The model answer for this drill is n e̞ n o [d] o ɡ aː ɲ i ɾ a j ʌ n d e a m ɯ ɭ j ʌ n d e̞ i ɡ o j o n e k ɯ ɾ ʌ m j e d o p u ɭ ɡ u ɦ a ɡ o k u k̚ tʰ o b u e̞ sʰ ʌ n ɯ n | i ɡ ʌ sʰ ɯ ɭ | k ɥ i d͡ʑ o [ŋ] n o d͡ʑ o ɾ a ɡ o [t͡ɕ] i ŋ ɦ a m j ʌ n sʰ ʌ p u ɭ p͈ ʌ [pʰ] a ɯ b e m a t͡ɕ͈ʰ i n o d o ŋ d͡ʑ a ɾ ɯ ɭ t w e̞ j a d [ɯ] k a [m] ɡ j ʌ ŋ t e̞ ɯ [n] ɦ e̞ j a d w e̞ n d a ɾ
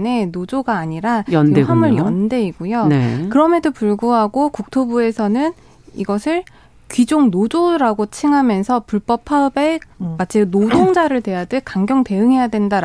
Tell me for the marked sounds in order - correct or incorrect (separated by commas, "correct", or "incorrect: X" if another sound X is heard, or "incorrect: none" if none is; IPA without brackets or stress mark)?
incorrect: d͡ʑ, correct, incorrect: t͡ɕʰ, correct, correct, incorrect: ŋ, incorrect: ŋ